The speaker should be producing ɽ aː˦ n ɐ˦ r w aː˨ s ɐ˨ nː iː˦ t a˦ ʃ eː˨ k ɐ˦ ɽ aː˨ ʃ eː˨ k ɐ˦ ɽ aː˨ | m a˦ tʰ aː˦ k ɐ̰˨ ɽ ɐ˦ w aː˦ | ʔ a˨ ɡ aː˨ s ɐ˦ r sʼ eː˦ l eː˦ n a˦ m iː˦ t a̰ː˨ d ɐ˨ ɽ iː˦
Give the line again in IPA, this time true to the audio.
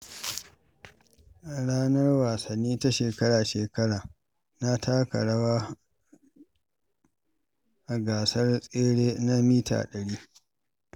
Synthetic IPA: ɽ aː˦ n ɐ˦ r w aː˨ s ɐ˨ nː iː˦ t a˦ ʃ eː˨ k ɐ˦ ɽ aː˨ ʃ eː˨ k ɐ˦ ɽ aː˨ | n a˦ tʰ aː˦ k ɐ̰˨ ɽ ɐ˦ w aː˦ | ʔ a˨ ɡ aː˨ s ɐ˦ r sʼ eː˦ ɽ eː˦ n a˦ m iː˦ t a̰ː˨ ɗ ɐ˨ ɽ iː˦